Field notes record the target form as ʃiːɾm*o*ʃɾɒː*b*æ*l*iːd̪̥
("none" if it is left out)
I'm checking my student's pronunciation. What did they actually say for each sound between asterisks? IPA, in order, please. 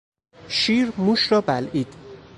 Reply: u, b, l

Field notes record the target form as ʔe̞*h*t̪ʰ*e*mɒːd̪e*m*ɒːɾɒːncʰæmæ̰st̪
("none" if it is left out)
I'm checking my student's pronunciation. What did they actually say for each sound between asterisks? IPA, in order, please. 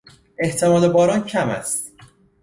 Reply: h, e, b

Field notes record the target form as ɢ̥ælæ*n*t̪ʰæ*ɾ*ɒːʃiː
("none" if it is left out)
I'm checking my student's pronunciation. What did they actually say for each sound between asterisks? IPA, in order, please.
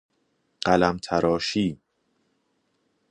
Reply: m, ɾ

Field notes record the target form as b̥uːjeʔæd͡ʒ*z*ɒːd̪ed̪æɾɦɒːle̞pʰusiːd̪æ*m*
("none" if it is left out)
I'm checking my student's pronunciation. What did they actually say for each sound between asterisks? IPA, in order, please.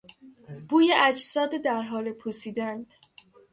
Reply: s, n

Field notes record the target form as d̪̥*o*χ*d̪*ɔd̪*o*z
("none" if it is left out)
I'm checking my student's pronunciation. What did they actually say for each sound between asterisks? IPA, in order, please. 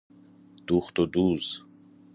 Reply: u, t̪, u

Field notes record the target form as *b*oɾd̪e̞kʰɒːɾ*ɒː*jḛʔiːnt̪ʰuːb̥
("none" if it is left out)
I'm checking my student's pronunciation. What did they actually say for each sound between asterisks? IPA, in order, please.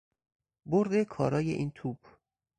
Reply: b, ɒː

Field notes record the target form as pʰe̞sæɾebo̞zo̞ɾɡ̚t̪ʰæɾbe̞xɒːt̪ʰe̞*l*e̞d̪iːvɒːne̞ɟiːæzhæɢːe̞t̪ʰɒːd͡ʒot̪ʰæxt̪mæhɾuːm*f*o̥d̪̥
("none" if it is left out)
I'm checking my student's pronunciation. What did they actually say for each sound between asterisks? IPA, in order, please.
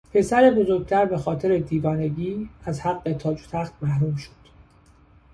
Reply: ɾ, ʃ

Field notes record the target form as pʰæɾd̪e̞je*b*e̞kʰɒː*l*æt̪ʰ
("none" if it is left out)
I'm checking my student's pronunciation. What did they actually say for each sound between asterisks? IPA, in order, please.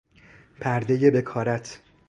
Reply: b, ɾ

